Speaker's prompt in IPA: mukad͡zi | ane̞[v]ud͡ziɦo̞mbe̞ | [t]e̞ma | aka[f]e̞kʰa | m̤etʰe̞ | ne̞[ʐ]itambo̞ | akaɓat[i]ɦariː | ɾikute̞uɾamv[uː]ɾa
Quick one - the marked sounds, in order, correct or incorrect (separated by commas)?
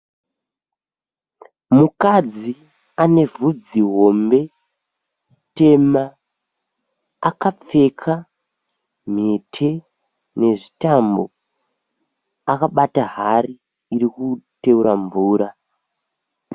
correct, correct, incorrect, correct, incorrect, correct